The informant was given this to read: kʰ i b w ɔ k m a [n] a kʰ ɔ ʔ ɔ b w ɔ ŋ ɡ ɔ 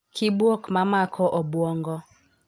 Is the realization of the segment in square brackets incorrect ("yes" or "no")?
yes